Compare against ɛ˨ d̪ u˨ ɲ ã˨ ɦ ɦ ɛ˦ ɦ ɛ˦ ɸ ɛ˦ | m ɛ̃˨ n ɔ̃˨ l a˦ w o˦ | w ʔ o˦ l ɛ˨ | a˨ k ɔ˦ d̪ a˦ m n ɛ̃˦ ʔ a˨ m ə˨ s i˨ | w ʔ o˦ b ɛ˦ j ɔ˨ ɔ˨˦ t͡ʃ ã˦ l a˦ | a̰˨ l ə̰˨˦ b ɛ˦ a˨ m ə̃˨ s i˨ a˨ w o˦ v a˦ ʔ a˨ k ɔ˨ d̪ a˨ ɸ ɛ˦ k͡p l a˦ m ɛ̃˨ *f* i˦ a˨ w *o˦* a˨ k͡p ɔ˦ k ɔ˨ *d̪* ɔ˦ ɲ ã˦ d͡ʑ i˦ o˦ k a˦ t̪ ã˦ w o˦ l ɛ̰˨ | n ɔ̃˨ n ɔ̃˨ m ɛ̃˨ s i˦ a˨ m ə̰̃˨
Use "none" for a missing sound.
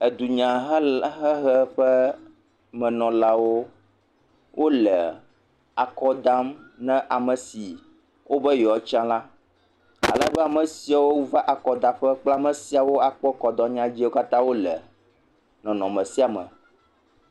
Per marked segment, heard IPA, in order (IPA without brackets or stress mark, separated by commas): s, o˦, d̪